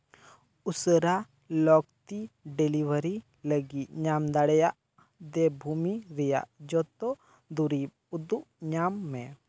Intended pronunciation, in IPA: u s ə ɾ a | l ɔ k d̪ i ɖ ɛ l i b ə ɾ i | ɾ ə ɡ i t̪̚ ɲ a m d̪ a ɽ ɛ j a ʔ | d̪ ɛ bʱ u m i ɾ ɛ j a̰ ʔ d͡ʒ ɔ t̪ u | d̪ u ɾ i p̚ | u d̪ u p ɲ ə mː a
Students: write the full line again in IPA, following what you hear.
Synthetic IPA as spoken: u s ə ɾ a | l ɔ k t̪ i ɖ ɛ l i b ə ɾ i | l ə ɡ i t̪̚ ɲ a m d̪ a ɽ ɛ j a ʔ | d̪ ɛ bʱ u m i ɾ ɛ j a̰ ʔ d͡ʒ ɔ t̪ ɔ | d̪ u ɾ i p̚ | u d̪ u ʔ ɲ a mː ɛ